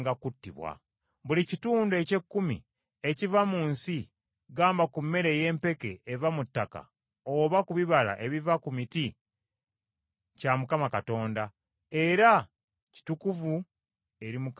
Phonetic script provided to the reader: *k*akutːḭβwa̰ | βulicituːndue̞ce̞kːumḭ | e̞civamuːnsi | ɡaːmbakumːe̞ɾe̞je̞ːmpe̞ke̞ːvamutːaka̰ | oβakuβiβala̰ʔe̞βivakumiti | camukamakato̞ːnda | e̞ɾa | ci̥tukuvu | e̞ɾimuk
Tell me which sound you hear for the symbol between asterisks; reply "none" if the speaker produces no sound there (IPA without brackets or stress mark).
ɡ